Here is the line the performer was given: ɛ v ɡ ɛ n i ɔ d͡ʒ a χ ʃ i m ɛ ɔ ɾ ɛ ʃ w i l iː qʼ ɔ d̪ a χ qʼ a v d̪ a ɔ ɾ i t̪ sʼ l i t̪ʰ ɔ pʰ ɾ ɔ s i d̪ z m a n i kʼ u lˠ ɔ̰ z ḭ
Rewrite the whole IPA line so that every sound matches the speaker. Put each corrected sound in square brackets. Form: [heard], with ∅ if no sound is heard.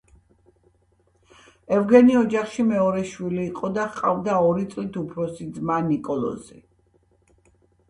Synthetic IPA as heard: ɛ v ɡ ɛ n i ɔ d͡ʒ a χ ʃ i m ɛ ɔ ɾ ɛ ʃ w i l iː qʼ ɔ d̪ a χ qʼ a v d̪ a ɔ ɾ i t̪ sʼ l i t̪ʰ [u] pʰ ɾ ɔ s i d̪ z m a n i kʼ [ɔ] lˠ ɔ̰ z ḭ